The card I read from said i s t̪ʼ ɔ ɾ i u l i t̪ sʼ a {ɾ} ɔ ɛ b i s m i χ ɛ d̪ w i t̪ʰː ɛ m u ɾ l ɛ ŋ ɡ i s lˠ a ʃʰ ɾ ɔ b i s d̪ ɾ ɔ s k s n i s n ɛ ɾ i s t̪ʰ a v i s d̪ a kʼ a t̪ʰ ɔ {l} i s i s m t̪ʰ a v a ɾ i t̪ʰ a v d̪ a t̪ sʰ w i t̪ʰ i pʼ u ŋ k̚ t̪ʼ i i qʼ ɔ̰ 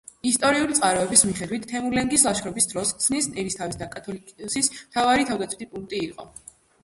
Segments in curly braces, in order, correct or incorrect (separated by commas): correct, correct